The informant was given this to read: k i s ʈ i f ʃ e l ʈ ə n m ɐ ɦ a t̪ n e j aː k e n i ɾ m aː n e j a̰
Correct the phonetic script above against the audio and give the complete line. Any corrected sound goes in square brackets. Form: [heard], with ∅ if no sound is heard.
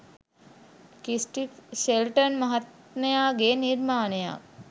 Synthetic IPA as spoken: k i s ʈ i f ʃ e l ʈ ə n m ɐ ɦ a t̪ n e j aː [ɡ] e n i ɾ m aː n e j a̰